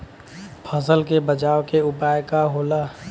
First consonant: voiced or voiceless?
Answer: voiceless